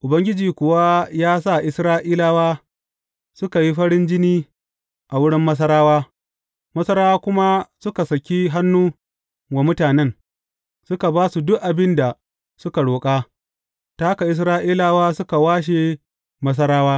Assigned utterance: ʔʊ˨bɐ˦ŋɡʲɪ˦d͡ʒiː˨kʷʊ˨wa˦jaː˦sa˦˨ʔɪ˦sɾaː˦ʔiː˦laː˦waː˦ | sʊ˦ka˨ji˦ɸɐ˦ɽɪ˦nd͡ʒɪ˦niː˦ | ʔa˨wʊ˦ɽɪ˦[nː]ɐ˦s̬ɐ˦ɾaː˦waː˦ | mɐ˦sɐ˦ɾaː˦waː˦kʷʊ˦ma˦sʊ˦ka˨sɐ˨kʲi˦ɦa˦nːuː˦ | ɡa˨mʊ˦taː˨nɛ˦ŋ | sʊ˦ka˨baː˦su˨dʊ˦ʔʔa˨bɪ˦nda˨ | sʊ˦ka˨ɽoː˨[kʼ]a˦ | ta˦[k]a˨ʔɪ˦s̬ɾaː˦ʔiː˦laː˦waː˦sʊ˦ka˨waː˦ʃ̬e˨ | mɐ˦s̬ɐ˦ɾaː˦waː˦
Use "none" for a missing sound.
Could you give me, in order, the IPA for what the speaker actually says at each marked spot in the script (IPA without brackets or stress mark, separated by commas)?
mː, kʼ, k